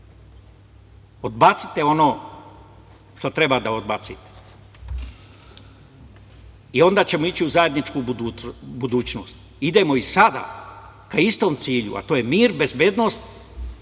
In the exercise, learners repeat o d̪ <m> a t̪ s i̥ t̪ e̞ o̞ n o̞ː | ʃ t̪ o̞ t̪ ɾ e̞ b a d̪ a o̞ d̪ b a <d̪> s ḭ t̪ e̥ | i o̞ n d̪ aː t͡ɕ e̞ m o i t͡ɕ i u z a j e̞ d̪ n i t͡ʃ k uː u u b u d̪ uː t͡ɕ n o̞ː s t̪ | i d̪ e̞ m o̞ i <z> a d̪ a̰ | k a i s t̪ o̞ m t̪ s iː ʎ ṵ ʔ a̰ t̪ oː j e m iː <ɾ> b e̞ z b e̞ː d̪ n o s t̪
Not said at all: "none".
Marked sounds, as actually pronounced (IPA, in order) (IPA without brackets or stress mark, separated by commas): b, t̪, s, ɾ